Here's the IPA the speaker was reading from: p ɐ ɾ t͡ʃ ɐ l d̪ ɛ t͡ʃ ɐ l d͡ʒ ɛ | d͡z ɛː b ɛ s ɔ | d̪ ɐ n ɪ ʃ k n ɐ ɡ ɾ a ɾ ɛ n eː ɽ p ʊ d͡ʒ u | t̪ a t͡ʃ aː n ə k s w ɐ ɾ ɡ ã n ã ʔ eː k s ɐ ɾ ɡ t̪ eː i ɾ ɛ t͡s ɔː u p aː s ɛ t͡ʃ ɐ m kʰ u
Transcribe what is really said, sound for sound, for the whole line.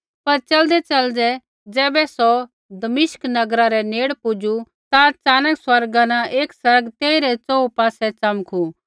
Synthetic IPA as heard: p ɐ ɾ t͡ʃ ɐ l d̪ ɛ t͡ʃ ɐ l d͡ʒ ɛ | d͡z ɛː b ɛ s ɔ | d̪ ɐ m ɪ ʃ k n ɐ ɡ ɾ a ɾ ɛ n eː ɽ p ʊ d͡ʒ u | t̪ a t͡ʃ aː n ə k s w ɐ ɾ ɡ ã n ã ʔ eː k s ɐ ɾ ɡ t̪ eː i ɾ ɛ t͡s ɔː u p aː s ɛ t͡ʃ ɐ m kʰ u